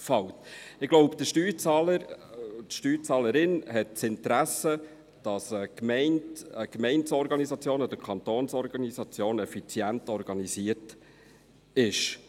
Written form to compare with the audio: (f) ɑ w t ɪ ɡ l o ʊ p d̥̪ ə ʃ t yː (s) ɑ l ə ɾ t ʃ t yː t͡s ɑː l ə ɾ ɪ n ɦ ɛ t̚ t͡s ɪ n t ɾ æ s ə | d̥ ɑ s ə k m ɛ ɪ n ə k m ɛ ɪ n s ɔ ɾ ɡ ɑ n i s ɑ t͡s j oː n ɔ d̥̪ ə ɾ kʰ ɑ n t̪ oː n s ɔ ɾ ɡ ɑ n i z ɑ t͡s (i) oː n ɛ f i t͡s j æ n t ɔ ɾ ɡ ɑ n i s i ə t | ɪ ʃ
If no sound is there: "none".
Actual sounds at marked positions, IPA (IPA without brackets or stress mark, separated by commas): f, t͡s, j